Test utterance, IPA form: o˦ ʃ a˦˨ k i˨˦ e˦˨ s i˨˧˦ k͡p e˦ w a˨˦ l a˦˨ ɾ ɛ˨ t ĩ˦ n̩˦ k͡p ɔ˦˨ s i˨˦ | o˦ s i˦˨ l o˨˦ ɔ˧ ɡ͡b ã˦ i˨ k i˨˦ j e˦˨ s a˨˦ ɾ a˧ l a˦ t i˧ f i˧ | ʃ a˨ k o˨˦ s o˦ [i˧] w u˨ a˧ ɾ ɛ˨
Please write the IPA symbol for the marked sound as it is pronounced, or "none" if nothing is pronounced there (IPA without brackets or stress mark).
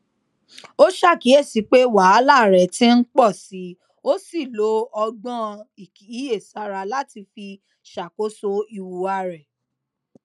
i˧